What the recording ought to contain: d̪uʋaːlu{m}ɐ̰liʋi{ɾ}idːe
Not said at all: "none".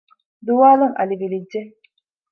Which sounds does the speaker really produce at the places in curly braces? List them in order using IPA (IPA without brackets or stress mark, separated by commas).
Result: ŋ, l